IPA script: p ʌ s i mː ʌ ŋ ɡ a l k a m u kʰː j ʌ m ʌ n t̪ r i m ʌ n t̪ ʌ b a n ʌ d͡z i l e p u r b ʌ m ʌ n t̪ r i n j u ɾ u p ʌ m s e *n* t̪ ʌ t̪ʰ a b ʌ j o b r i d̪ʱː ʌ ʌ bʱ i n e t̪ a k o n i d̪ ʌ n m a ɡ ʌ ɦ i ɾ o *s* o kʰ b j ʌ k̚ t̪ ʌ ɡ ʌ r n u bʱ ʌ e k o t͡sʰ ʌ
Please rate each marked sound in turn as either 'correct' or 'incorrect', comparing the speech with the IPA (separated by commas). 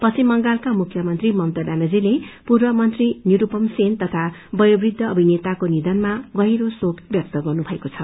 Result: correct, correct